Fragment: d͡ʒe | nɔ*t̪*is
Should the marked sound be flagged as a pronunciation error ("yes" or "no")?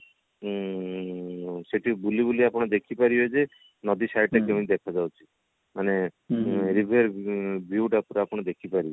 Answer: yes